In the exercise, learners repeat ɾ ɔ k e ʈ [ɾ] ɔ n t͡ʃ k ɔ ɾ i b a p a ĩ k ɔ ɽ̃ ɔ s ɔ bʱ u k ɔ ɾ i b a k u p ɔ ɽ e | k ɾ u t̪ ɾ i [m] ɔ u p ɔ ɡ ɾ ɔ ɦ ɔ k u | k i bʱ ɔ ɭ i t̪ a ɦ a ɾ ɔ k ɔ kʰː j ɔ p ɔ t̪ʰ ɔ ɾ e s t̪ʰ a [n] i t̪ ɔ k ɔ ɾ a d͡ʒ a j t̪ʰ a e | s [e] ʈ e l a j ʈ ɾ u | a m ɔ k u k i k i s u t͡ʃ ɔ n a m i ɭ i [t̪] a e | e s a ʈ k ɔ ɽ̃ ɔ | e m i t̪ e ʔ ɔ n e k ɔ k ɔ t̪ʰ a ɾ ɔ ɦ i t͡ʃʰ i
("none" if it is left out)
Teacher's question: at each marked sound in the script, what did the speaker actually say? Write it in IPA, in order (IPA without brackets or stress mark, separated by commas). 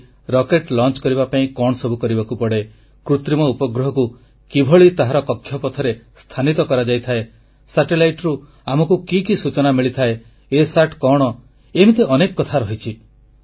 l, m, n, a, t̪ʰ